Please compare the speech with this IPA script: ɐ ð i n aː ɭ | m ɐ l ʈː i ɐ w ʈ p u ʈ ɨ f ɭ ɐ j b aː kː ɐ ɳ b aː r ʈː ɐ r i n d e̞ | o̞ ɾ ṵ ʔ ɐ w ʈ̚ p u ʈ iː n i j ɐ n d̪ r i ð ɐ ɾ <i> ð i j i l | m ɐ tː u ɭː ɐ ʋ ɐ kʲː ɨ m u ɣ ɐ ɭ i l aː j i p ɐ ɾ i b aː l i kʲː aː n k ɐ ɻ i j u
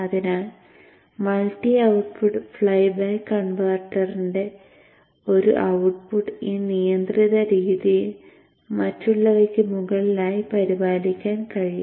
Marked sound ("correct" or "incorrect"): incorrect